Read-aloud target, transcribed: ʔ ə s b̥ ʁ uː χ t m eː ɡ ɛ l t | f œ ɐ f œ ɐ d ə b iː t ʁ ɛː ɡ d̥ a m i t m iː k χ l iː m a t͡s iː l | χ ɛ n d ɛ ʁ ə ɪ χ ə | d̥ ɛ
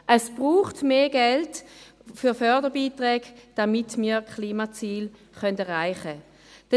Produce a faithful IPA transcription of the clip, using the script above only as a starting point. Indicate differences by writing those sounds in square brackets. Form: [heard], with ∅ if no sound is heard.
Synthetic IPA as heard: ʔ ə s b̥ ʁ uː χ t m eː ɡ ɛ l t | f [y] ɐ f œ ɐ d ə b iː t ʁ ɛː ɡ d̥ a m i t m iː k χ l iː m a t͡s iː l | χ [œ] n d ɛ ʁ [a] ɪ χ ə | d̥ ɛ